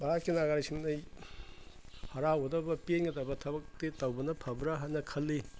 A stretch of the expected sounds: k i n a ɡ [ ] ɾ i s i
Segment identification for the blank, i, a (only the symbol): a